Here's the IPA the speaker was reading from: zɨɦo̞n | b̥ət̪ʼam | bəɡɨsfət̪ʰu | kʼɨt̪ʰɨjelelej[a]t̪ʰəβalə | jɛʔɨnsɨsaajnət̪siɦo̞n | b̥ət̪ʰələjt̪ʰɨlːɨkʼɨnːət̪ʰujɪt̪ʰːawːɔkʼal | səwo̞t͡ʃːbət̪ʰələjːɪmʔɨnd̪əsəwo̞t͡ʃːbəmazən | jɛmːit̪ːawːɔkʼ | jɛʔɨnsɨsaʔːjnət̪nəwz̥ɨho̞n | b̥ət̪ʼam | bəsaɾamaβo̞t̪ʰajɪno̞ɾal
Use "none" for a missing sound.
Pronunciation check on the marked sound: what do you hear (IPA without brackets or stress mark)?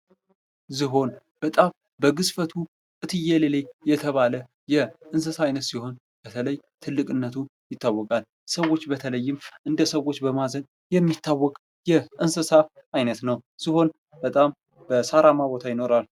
ɛ